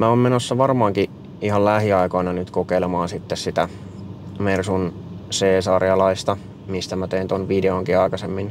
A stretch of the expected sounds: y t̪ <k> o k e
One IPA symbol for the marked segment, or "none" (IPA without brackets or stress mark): k